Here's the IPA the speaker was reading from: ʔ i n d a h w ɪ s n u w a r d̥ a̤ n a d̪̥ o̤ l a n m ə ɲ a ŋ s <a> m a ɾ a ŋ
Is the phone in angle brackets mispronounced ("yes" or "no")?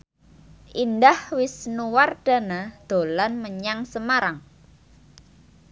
yes